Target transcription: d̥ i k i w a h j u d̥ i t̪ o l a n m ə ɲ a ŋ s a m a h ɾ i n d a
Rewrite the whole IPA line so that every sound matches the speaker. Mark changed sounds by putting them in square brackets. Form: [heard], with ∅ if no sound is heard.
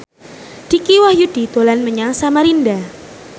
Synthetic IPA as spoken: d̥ i k i w a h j u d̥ i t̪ o l a n m ə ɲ a ŋ s a m a [∅] ɾ i n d a